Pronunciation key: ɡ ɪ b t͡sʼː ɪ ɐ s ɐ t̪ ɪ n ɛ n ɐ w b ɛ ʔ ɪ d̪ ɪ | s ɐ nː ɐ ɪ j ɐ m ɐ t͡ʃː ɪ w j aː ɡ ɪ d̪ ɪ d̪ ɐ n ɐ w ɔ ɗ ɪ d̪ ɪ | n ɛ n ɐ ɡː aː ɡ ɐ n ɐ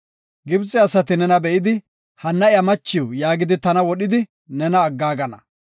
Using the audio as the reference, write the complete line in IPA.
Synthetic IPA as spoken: ɡ ɪ b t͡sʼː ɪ ɐ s ɐ t̪ ɪ n ɛ n ɐ b ɛ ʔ ɪ d̪ ɪ | h ɐ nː ɐ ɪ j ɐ m ɐ t͡ʃː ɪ w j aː ɡ ɪ d̪ ɪ t̪ ɐ n ɐ w ɔ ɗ ɪ d̪ ɪ | n ɛ n ɐː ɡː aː ɡ ɐ n ɐ

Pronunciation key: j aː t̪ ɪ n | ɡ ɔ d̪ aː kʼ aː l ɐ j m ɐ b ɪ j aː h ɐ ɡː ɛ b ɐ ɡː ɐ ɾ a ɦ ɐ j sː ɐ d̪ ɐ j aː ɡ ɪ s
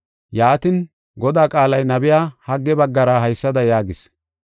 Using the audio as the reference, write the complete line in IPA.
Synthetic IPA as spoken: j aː t̪ ɪ n | ɡ ɔ d̪ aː kʼ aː l ɐ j n ɐ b ɪ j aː h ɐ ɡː ɛ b ɐ ɡː ɐ ɾ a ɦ ɐ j sː ɐ d̪ ɐ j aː ɡ ɪ s

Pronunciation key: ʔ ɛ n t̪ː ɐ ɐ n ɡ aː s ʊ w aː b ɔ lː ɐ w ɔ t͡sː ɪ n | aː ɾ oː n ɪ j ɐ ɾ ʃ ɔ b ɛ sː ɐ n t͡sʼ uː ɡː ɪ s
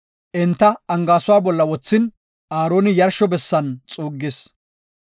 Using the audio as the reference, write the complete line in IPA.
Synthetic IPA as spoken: ʔ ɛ n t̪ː ɐ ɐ ŋ ɡ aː s ʊ w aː b ɔ lː ɐ w ɔ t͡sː ɪ n | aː ɾ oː n ɪ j ɐ ɾ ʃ ɔ b ɛ sː ɐ n t͡sʼ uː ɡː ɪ s

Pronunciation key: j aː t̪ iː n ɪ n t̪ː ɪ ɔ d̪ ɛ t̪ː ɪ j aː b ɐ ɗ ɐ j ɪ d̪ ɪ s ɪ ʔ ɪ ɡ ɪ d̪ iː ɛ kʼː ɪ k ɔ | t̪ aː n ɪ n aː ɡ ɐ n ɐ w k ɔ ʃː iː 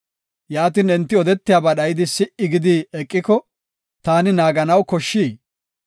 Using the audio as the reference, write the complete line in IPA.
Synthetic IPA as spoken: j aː t̪ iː n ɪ n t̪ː ɪ ɔ d̪ ɛ t̪ː ɪ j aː b ɐ ɗ ɐ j ɪ d̪ ɪ s ɪ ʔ ɪ ɡ ɪ d̪ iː ɛ kʼː ɪ k ɔ | t̪ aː n ɪ n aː ɡ ɐ n ɐ w k ɔ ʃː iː

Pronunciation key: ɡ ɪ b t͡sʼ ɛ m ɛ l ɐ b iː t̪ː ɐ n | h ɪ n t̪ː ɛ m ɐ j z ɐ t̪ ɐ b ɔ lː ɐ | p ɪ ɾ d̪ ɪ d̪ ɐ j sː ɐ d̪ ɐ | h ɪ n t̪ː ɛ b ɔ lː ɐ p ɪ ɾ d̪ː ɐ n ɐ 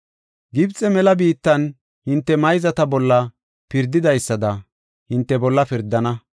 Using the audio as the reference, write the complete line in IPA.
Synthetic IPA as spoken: ɡ ɪ b t͡sʼ ɛ m ɛ l ɐ b iː t̪ː ɐ n | h ɪ n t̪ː ɛ m ɐ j z ɐ t̪ ɐ b ɔ lː ɐ | p ɪ ɾ d̪ ɪ d̪ ɐ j sː ɐ d̪ ɐ | h ɪ n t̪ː ɛ b ɔ lː ɐ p ɪ ɾ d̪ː ɐ n ɐ

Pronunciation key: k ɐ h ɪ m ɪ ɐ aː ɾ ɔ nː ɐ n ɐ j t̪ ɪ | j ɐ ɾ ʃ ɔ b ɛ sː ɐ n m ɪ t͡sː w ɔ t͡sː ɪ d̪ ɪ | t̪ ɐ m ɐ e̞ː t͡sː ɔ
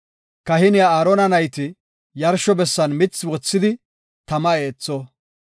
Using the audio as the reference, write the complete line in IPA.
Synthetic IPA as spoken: k ɐ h ɪ n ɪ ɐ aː ɾ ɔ n ɐ n ɐ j t̪ ɪ | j ɐ ɾ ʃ ɔ b ɛ sː ɐ n m ɪ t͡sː w ɔ t͡sː ɪ d̪ ɪ | t̪ ɐ m ɐ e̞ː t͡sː ɔ

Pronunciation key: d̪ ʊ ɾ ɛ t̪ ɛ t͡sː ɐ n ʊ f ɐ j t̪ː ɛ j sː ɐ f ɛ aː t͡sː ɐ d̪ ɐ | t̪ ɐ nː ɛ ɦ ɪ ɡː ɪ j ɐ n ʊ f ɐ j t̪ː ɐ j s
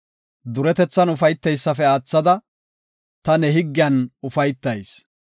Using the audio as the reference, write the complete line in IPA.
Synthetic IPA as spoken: d̪ ʊ ɾ ɛ t̪ ɛ t͡sː ɐ n ʊ f ɐ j t̪ː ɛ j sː ɐ f ɛ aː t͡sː ɐ d̪ ɐ | t̪ ɐ n ɛ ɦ ɪ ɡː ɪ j ɐ n ʊ f ɐ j t̪ː ɐ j s

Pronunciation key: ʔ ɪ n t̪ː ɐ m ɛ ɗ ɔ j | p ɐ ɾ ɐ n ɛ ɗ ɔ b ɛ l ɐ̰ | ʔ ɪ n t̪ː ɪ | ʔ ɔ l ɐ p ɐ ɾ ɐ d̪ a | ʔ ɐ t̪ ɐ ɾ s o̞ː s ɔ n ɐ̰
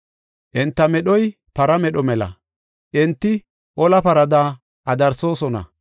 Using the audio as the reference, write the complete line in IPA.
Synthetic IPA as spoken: ʔ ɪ n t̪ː ɐ m ɛ ɗ ɔ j | p ɐ ɾ ɐ m ɛ ɗ ɔ m ɛ l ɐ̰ | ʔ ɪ n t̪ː ɪ | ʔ ɔ l ɐ p ɐ ɾ ɐ d̪ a | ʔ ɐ d̪ ɐ ɾ s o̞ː s ɔ n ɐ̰

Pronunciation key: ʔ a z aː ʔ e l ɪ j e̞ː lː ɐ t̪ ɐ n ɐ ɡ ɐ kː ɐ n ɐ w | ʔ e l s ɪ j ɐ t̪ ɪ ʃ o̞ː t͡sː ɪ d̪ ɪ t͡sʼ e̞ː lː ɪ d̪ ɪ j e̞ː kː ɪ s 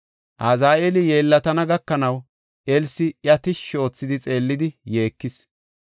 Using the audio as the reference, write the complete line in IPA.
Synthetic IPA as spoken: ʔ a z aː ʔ e l ɪ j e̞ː lː ɐ t̪ ɐ n ɐ ɡ ɐ kː ɐ n ɐ w | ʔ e l s ɪ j ɐ t̪ ɪ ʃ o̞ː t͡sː ɪ d̪ ɪ t͡sʼ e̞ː lː ɪ d̪ ɪ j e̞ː kː ɪ s

